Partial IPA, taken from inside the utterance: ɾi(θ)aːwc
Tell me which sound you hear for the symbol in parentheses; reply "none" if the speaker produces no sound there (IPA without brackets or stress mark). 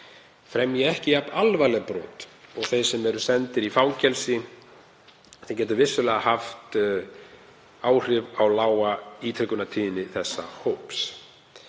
f